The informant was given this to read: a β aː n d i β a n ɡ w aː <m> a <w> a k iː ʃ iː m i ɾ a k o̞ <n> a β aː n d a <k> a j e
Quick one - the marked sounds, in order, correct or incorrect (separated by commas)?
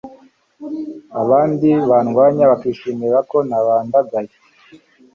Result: incorrect, incorrect, correct, incorrect